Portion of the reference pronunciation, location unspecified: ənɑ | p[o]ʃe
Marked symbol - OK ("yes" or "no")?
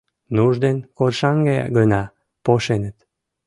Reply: yes